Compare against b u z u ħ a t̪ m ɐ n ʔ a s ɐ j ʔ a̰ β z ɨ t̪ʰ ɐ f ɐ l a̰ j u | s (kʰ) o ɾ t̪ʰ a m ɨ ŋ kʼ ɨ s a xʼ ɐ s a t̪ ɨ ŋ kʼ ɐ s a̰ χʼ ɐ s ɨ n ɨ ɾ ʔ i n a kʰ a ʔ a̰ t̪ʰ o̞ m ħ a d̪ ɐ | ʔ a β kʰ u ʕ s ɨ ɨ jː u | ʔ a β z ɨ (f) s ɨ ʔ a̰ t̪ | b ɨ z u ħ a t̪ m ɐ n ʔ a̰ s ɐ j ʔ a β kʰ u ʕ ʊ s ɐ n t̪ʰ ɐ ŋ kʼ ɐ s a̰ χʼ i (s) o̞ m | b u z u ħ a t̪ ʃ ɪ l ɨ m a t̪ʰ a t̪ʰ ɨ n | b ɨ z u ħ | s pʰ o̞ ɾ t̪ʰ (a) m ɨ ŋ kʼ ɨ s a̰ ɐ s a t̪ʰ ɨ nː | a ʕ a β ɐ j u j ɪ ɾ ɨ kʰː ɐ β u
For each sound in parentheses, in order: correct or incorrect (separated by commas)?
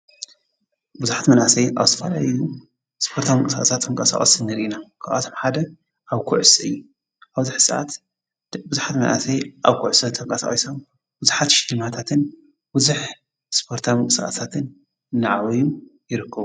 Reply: incorrect, incorrect, correct, correct